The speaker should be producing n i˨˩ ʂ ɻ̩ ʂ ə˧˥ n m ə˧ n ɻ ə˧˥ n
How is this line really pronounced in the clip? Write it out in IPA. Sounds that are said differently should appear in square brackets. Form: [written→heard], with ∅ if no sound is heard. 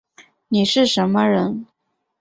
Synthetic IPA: n i˨˩ ʂ ɻ̩ ʂ ə˧˥ n m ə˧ [n→∅] ɻ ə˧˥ n